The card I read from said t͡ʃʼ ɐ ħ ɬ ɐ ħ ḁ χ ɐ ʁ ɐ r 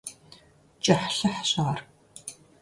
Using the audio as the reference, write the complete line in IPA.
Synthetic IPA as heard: t͡ʃʼ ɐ ħ ɬ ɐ ħ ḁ ɕ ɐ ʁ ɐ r